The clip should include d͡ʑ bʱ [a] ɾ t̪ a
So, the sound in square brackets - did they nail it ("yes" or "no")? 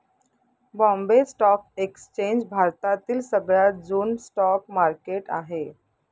yes